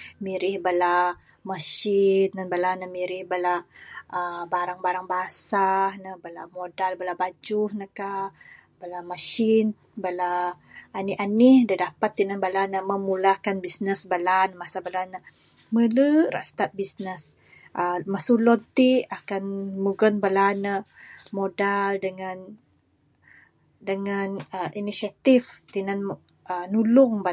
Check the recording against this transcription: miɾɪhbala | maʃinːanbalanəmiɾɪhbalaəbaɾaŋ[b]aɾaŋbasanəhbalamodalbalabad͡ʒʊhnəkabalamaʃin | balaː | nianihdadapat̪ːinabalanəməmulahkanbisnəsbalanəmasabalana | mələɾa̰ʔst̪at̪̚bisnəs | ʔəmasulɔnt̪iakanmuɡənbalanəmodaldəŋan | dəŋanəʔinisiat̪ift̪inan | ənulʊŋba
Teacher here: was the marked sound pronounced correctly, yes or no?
yes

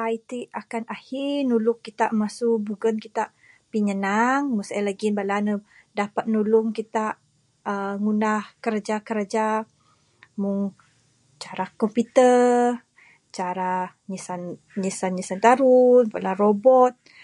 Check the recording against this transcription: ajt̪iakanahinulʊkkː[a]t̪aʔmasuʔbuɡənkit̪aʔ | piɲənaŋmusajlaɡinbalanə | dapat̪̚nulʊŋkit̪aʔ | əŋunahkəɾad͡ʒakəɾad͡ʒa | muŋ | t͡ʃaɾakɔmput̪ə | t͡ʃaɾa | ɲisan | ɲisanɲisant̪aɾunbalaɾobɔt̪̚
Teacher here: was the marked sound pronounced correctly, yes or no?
no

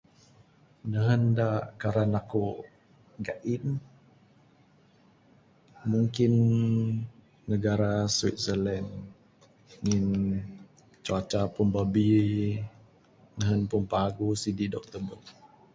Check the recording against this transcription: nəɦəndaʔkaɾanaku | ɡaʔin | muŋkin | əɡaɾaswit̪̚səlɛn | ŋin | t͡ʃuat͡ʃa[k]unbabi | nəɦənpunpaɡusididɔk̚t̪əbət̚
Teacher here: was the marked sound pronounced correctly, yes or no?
no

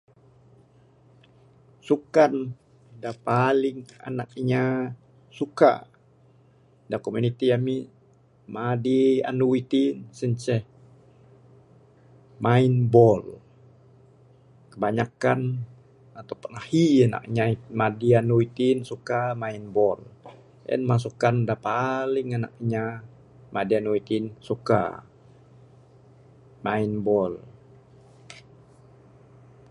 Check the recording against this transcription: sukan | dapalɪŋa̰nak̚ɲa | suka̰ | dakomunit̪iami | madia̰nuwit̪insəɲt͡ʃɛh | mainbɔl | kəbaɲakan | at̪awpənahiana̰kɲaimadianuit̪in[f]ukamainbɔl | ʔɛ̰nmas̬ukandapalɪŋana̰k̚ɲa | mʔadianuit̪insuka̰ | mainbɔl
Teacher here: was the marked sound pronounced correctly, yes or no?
no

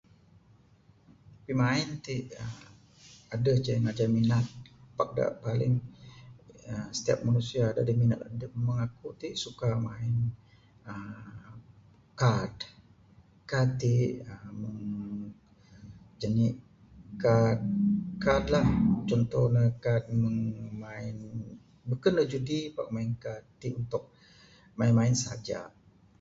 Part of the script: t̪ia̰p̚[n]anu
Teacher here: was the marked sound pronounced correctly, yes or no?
no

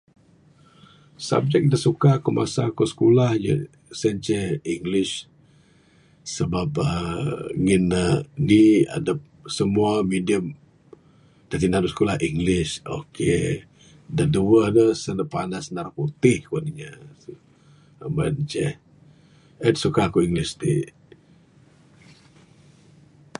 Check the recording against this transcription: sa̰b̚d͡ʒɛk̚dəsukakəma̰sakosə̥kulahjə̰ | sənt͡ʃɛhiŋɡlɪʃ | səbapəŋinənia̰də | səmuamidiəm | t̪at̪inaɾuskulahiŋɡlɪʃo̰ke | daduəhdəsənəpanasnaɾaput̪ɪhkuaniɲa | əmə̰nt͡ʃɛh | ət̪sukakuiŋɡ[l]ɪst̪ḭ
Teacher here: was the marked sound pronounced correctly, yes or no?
yes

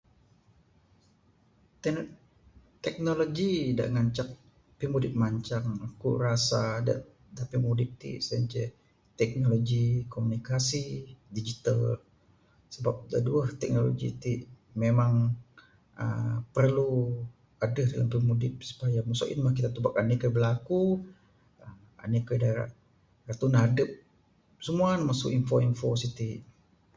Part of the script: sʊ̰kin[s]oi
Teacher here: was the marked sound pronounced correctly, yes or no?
no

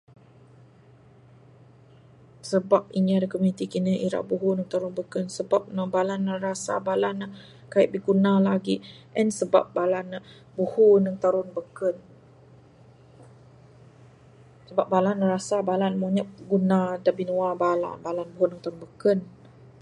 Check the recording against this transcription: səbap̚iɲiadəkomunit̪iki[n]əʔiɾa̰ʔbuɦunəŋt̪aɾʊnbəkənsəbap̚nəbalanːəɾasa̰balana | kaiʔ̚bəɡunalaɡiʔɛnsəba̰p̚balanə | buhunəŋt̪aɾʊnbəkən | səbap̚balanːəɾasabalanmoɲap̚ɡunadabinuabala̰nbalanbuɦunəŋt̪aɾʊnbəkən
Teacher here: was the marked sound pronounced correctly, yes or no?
yes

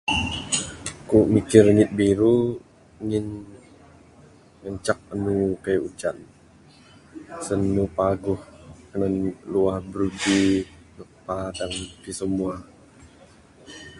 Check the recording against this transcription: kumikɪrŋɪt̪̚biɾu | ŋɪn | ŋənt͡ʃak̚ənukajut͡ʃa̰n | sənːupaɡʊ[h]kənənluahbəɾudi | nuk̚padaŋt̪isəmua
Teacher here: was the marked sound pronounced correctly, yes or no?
yes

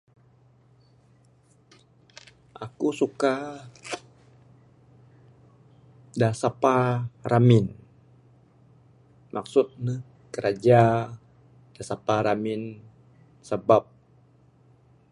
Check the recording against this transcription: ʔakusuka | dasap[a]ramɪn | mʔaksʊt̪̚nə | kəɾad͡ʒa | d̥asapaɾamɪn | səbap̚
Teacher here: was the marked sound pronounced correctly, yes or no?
yes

